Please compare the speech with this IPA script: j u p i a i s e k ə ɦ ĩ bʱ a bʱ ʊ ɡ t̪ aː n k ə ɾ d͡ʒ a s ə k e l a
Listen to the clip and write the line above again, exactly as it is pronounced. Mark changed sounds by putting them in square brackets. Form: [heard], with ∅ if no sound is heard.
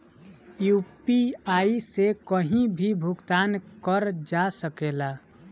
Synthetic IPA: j u p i a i s e k ə ɦ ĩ bʱ [i] bʱ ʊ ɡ t̪ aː n k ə ɾ d͡ʒ a s ə k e l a